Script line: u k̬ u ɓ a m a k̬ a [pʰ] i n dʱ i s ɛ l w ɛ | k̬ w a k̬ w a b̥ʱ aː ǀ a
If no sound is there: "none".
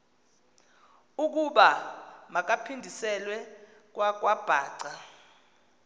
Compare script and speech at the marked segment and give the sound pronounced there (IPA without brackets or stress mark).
pʰ